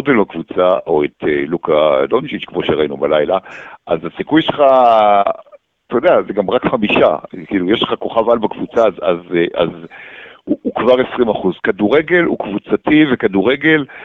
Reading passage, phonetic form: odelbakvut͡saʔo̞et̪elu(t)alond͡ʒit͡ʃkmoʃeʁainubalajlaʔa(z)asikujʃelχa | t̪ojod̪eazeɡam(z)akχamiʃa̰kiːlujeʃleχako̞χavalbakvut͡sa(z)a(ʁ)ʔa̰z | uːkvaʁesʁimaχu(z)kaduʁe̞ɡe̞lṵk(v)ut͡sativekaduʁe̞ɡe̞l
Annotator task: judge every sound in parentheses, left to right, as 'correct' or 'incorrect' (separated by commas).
incorrect, correct, incorrect, correct, incorrect, correct, correct